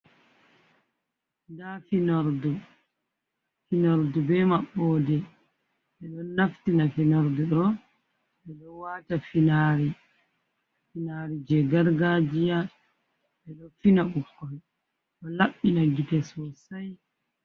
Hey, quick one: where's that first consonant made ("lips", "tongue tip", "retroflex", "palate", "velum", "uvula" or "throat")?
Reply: tongue tip